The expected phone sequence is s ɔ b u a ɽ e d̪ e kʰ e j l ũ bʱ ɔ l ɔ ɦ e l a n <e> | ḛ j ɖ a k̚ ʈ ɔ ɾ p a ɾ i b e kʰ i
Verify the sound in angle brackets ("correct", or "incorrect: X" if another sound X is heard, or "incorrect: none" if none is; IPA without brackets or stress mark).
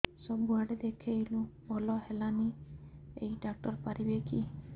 incorrect: i